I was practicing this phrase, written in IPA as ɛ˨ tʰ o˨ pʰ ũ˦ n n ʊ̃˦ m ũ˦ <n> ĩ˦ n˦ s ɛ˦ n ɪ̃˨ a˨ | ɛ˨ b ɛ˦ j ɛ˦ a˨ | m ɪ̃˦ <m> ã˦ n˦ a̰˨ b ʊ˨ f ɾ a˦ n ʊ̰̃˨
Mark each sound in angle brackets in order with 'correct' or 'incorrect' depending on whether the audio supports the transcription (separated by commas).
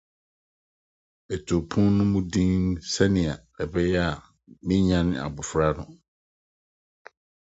incorrect, incorrect